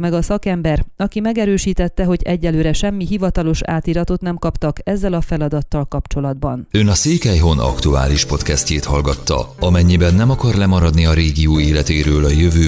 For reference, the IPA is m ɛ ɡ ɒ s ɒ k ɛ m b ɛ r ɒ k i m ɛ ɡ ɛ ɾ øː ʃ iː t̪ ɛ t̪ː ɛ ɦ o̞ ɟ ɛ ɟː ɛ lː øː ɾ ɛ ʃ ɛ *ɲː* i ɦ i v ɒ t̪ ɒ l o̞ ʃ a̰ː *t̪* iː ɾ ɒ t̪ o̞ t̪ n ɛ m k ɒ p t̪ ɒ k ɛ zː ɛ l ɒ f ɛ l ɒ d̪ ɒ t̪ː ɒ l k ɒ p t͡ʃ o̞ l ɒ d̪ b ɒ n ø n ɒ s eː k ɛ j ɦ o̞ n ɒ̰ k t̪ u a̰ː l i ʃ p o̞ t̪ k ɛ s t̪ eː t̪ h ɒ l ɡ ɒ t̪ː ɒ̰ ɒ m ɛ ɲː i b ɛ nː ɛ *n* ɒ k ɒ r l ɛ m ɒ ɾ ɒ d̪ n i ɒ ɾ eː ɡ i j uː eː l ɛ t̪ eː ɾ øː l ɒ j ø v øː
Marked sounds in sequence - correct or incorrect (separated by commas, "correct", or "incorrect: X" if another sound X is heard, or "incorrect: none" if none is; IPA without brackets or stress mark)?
incorrect: mː, correct, incorrect: m